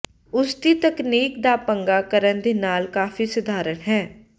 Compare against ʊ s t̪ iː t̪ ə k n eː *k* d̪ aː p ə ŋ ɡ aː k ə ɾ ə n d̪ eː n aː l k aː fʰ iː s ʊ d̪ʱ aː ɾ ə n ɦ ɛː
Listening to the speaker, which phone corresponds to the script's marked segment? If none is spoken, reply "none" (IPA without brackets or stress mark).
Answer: k